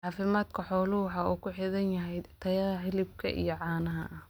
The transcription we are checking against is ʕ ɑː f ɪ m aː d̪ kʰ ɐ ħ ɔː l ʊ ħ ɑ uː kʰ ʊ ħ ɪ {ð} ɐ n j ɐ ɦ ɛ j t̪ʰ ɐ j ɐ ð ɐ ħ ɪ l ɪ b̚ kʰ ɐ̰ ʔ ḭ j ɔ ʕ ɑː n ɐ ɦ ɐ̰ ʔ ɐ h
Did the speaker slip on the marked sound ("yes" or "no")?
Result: no